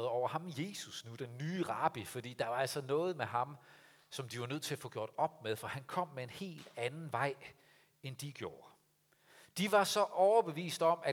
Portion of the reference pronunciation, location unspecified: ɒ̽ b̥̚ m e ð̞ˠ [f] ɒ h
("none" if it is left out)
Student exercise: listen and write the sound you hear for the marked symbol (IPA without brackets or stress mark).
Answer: f